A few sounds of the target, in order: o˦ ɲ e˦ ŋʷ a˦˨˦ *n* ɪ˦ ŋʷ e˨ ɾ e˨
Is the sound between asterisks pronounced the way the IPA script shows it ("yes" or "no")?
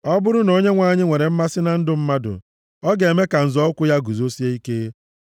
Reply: no